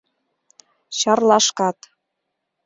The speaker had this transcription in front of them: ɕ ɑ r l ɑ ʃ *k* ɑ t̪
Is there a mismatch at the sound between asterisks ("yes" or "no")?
no